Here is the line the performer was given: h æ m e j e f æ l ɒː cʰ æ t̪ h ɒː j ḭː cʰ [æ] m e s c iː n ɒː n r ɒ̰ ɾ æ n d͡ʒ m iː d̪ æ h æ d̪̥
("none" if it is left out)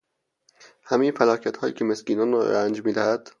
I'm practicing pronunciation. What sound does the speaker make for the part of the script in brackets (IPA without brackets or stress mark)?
e